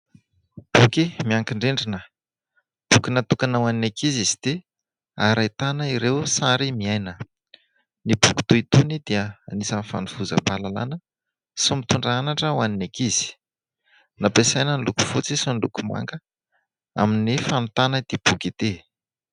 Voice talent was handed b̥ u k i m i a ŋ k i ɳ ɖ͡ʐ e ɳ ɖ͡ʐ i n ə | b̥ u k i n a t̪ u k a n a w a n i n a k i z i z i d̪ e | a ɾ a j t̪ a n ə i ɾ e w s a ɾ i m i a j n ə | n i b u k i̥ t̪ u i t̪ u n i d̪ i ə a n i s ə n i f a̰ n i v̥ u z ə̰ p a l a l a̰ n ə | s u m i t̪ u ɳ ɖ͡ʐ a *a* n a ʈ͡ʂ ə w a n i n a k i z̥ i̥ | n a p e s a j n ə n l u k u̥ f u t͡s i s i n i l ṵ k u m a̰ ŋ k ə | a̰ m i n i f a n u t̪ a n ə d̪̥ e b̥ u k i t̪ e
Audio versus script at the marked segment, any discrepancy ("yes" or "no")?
no